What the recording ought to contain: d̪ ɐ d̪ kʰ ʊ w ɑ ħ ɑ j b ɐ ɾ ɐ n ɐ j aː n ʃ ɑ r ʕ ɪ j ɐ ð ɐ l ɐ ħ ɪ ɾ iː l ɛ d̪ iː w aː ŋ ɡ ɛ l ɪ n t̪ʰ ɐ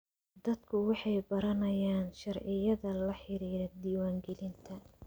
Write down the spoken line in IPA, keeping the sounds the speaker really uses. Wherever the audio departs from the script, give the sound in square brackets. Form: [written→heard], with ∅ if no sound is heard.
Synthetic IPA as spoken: d̪ ɐ d̪ kʰ ʊ w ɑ ħ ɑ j b ɐ ɾ ɐ n ɐ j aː n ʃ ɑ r ʕ ɪ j ɐ ð ɐ l ɐ ħ ɪ ɾ iː [l→ɾ] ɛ d̪ iː w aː ŋ ɡ ɛ l ɪ n t̪ʰ ɐ

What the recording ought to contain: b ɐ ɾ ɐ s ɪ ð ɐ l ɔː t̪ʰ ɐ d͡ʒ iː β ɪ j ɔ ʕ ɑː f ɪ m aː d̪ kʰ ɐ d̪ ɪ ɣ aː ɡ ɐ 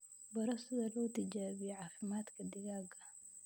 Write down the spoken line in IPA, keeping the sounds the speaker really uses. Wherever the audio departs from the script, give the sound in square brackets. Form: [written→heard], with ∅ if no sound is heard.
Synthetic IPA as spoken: b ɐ ɾ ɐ s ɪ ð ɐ l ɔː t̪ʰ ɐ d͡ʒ [iː→aː] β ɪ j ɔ ʕ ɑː f ɪ m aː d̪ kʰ ɐ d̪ ɪ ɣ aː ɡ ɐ

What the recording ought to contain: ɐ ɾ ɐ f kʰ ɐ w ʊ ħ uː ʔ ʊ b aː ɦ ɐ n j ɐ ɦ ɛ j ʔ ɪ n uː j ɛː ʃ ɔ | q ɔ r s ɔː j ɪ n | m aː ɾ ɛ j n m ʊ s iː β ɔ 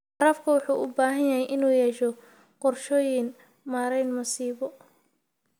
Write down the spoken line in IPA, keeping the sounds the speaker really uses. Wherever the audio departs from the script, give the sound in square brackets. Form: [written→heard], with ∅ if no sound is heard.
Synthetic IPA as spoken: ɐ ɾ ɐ f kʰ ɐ w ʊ ħ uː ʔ ʊ b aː ɦ ɐ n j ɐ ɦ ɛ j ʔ ɪ n uː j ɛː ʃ ɔ | q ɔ r [s→ʃ] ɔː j ɪ n | m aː ɾ ɛ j n m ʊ s iː β ɔ

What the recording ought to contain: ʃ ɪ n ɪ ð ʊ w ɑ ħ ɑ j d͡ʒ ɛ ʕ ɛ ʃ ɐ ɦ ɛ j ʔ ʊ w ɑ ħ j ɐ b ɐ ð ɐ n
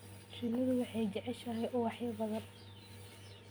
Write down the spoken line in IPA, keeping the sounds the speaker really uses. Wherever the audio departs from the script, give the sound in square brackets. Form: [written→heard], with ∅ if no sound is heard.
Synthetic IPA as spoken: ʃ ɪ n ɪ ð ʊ w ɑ ħ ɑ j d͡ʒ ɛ ʕ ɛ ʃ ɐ ɦ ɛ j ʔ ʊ w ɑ ħ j ɐ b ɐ ð ɐ n

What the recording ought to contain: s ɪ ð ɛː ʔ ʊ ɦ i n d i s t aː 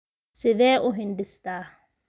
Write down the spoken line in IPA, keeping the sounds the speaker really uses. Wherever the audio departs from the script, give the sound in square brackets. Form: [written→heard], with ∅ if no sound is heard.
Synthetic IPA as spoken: s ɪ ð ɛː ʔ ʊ ɦ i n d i s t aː

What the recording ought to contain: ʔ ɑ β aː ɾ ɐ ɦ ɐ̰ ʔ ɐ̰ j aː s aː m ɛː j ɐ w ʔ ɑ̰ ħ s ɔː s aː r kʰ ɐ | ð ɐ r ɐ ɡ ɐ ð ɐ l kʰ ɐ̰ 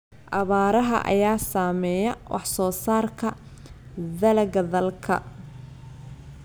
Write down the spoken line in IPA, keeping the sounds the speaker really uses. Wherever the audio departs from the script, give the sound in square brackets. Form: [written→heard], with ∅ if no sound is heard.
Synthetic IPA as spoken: ʔ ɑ β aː ɾ ɐ ɦ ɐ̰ ʔ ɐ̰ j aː s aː m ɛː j ɐ w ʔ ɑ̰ ħ s ɔː s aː r kʰ ɐ | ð ɐ [r→l] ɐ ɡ ɐ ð ɐ l kʰ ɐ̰

